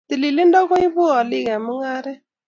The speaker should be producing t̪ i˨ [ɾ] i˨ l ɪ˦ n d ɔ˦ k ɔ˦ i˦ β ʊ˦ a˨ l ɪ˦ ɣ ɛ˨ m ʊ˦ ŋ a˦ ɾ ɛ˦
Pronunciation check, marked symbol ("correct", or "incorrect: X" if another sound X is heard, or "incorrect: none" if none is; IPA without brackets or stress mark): incorrect: l